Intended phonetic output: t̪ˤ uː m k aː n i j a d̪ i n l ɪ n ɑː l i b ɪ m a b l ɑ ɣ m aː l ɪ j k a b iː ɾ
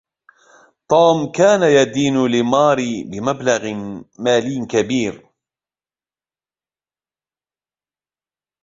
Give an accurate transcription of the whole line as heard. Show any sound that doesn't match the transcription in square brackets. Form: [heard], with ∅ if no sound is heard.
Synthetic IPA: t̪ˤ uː m k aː n [a] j a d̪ [iː] n l ɪ [m] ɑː [ɾ] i b ɪ m a b l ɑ ɣ m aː l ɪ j k a b iː ɾ